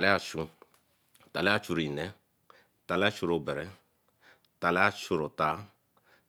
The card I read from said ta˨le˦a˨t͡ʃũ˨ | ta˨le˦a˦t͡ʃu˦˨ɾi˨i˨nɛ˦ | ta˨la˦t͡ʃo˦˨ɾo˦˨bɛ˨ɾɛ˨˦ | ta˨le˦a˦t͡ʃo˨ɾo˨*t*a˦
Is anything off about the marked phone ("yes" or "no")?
no